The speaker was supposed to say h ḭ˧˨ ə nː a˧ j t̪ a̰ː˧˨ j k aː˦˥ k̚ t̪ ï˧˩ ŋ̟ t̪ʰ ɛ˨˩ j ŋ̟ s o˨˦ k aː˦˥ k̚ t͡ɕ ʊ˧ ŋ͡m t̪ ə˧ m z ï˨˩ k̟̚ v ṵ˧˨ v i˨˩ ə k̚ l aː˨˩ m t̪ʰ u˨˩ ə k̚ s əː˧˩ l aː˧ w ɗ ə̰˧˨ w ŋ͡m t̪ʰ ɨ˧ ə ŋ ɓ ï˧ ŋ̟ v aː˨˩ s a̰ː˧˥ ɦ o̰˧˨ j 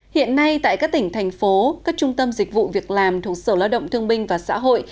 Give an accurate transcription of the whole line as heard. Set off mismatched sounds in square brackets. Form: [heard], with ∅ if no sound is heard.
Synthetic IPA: h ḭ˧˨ ə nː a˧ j t̪ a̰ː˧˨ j k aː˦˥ k̚ t̪ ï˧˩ ŋ̟ t̪ʰ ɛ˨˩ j ŋ̟ [f] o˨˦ k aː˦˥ k̚ t͡ɕ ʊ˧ ŋ͡m t̪ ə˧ m z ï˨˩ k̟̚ v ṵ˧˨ v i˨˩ ə k̚ l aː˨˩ m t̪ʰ u˨˩ ə k̚ s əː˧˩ l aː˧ w ɗ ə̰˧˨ w ŋ͡m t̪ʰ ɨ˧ ə ŋ ɓ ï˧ ŋ̟ v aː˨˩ s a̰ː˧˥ ɦ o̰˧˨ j